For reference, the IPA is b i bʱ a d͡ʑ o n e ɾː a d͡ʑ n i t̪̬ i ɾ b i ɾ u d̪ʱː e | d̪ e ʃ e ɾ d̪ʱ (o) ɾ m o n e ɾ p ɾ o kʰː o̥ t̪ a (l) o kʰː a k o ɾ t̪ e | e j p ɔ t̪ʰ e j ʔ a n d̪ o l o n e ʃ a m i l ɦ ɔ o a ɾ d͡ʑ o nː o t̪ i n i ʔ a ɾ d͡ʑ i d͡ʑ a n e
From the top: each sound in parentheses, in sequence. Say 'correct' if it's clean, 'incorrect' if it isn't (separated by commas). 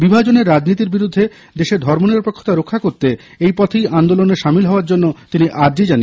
incorrect, incorrect